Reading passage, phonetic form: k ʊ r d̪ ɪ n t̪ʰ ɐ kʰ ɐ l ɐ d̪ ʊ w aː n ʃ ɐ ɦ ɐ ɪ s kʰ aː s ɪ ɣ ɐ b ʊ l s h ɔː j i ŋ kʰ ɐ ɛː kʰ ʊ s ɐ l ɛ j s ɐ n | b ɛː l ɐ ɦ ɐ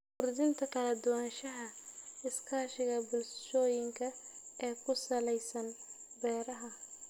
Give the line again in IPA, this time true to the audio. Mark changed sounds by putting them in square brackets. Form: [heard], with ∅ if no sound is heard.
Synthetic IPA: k ʊ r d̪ ɪ n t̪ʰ ɐ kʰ ɐ l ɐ d̪ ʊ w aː n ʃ ɐ ɦ ɐ ɪ s kʰ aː [ʃ] ɪ ɣ ɐ b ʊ l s [ʃ] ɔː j [ɪ] ŋ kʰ ɐ ɛː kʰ ʊ s ɐ l ɛ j s ɐ n | b ɛː [ɾ] ɐ ɦ ɐ